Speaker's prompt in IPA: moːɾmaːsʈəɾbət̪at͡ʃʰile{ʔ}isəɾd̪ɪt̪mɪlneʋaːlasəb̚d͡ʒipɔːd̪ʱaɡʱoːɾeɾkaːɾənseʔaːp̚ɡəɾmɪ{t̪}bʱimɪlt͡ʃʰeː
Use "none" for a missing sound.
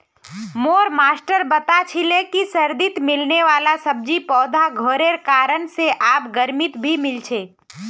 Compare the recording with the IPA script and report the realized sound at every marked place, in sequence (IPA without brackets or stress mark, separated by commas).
k, t̪